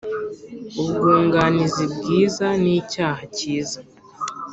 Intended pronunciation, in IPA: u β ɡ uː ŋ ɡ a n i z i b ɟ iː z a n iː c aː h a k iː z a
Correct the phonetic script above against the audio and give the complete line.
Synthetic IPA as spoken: u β ɡ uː ŋ ɡ a n i z i b ɡ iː z a n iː c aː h a c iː z a